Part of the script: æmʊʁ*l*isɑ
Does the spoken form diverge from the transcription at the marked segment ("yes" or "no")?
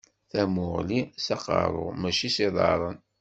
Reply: no